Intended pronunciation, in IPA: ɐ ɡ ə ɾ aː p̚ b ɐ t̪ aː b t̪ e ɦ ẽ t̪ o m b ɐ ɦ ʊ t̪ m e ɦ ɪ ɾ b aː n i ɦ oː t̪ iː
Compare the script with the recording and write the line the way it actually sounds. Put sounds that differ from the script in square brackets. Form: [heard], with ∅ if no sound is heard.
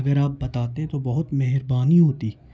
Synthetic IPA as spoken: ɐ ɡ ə ɾ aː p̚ b ɐ t̪ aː [∅] t̪ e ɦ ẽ t̪ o [∅] b ɐ ɦ ʊ t̪ m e ɦ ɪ ɾ b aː n i ɦ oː t̪ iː